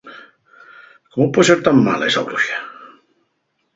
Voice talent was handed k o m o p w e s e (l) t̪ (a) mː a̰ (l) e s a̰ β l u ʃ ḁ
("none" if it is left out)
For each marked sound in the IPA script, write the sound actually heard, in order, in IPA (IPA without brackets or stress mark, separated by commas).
ɾ, a, l